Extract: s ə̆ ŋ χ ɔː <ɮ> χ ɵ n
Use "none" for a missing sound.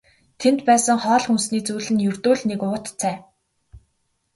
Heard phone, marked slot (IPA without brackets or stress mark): ɮ